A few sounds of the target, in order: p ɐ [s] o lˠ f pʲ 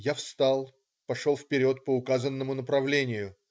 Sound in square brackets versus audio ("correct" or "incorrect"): incorrect